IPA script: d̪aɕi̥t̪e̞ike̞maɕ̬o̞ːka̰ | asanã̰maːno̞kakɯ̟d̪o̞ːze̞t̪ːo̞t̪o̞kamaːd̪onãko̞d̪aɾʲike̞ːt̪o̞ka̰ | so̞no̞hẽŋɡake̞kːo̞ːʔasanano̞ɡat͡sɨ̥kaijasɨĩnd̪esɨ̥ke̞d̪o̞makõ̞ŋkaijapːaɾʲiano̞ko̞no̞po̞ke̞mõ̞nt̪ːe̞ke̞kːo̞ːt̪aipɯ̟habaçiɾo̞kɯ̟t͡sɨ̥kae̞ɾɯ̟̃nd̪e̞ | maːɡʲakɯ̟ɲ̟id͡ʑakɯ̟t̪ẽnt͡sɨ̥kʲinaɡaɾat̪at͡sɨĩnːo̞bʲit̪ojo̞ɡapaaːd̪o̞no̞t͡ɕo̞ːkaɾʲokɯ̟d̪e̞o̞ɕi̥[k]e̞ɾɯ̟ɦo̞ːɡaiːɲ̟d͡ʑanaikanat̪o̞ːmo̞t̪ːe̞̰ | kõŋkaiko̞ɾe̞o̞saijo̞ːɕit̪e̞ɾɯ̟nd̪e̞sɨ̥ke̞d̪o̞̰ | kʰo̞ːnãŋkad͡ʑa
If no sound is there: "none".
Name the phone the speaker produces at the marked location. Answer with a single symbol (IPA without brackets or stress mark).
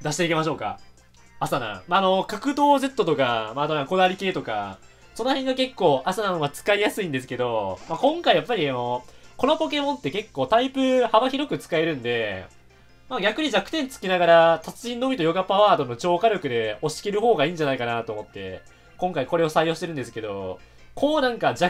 k